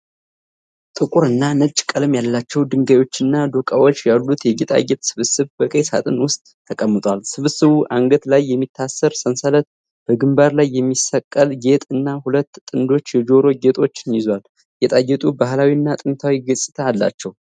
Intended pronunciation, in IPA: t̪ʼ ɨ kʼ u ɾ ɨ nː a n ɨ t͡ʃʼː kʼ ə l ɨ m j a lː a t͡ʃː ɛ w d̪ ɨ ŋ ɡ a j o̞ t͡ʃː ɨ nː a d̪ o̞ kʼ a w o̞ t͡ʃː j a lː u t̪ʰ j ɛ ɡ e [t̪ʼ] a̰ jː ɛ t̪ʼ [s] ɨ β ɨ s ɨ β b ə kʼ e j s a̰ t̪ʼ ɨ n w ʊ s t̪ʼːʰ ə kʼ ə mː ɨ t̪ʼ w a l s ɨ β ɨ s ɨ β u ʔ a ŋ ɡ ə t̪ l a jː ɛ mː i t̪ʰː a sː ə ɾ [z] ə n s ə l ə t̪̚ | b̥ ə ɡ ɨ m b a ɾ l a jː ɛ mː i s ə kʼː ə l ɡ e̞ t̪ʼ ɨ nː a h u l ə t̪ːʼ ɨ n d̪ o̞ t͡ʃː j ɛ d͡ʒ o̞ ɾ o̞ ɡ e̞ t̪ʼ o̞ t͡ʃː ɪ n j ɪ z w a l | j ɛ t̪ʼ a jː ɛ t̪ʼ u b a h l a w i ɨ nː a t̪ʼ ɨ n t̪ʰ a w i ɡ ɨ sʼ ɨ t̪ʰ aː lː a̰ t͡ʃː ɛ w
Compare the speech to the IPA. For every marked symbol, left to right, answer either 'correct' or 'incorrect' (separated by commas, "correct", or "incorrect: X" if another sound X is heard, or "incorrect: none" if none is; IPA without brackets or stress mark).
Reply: correct, correct, incorrect: s